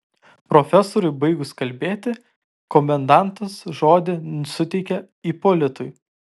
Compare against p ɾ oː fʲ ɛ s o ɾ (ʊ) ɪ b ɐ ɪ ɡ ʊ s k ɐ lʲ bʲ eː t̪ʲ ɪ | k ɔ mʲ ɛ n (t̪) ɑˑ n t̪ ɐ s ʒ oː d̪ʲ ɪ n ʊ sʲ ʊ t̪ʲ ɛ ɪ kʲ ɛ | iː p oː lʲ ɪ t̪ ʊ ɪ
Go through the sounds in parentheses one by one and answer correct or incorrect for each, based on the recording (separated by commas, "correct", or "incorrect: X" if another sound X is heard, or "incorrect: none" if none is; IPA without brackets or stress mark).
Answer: correct, incorrect: d̪